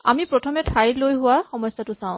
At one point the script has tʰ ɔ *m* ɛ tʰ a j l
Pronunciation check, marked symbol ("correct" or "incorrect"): correct